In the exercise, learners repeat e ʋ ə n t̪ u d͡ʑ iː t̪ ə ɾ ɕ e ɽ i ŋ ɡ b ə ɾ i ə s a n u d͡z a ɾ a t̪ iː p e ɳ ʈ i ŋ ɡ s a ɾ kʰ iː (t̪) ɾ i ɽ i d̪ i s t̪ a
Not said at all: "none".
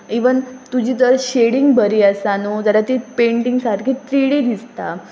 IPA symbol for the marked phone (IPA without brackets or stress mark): t̪